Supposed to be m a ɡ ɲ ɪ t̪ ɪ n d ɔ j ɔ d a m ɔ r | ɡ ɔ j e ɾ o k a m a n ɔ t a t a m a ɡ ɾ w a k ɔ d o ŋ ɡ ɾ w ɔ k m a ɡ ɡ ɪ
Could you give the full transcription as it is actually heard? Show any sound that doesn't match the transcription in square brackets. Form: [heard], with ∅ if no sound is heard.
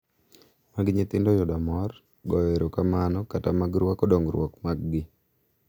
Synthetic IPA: m a ɡ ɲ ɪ t̪ ɪ n d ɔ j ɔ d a m ɔ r | ɡ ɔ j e ɾ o k a m a n ɔ [k] a t a m a ɡ ɾ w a k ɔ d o ŋ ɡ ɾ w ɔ k m a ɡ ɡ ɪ